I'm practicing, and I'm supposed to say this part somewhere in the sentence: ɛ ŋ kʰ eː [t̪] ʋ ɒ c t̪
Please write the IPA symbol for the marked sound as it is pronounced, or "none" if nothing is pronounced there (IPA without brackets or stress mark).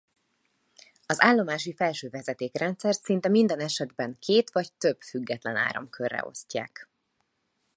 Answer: t̪